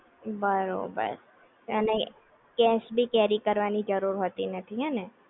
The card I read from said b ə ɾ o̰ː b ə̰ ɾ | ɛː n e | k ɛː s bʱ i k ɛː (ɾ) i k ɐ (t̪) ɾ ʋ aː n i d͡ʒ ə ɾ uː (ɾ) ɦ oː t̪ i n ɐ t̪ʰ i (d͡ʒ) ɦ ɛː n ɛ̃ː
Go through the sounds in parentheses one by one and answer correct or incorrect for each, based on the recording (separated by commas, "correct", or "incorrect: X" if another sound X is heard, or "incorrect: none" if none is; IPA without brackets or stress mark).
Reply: correct, incorrect: none, correct, incorrect: none